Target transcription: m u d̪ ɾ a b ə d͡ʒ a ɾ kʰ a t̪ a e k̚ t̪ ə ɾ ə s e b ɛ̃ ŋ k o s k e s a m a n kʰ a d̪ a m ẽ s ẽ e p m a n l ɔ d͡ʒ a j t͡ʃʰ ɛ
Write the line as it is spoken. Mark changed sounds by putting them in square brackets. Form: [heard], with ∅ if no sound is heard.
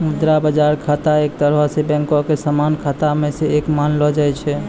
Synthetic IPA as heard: m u d̪ ɾ a b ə d͡ʒ a ɾ kʰ a t̪ a e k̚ t̪ ə ɾ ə s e b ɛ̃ ŋ k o [∅] k e s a m a n kʰ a [t̪] a m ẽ s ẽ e [k] m a n l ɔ d͡ʒ a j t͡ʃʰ ɛ